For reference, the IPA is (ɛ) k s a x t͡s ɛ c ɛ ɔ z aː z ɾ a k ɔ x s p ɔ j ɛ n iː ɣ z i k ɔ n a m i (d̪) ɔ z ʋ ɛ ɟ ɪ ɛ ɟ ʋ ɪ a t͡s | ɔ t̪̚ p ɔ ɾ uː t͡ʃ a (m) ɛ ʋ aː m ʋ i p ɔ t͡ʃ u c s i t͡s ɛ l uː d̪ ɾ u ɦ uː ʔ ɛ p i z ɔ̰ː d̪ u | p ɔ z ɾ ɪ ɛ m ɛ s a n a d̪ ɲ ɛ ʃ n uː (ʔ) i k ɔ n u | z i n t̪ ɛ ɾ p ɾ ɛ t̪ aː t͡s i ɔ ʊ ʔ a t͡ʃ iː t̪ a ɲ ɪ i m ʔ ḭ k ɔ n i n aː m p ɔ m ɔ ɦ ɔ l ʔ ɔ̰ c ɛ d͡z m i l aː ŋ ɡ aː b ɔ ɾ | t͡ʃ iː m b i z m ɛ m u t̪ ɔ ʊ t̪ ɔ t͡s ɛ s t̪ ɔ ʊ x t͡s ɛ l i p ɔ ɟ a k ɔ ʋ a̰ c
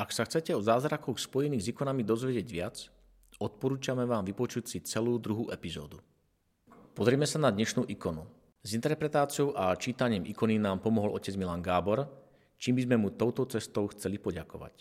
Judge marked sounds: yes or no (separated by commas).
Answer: no, yes, yes, yes